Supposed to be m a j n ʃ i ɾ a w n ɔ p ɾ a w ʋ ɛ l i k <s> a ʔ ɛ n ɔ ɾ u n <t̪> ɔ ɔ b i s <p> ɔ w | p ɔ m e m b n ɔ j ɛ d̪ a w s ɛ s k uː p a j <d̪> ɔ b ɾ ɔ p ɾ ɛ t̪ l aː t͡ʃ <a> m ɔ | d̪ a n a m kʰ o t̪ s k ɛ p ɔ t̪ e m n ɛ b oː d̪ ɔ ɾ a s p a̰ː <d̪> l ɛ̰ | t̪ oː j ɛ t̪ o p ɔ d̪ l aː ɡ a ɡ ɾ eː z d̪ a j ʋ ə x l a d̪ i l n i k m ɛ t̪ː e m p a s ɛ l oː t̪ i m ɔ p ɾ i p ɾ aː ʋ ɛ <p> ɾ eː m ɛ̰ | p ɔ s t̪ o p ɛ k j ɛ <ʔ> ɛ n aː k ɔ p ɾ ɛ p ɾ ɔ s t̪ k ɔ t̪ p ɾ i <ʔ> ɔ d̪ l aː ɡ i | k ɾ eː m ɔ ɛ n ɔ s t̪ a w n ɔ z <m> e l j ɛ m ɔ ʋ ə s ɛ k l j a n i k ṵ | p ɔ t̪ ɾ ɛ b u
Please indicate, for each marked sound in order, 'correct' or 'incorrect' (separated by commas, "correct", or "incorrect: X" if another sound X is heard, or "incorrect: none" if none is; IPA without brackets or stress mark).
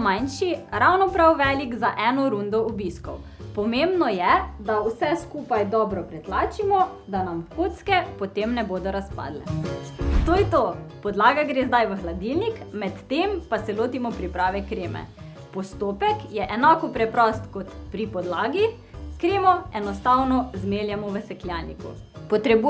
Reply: incorrect: z, incorrect: d̪, incorrect: k, correct, incorrect: i, correct, incorrect: k, correct, incorrect: p, correct